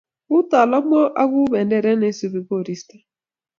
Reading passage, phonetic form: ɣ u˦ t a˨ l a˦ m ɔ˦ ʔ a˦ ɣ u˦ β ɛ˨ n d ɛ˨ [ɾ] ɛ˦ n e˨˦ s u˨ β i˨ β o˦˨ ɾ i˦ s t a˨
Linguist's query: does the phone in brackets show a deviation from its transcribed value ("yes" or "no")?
no